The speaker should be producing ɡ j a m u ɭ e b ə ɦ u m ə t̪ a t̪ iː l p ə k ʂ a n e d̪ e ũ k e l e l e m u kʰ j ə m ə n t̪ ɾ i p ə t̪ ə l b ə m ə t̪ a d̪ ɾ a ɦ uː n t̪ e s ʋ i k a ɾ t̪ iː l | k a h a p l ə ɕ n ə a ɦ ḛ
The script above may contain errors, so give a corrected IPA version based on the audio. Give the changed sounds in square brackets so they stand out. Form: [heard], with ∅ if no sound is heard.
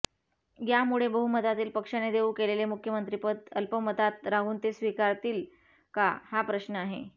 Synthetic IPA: ɡ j a m u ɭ e b ə ɦ u m ə t̪ a t̪ iː l p ə k ʂ a n e d̪ e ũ k e l e l e m u kʰ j ə m ə n t̪ ɾ i p ə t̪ ə l [p] ə m ə t̪ a [t̪] ɾ a ɦ uː n t̪ e s ʋ i k a ɾ t̪ iː l | k a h a p [ɾ] ə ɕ n ə a ɦ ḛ